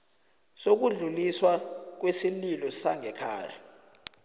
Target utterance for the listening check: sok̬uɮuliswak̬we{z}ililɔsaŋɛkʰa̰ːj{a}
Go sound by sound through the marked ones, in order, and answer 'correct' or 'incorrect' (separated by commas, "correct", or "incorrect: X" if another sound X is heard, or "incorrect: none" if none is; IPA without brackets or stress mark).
incorrect: s, correct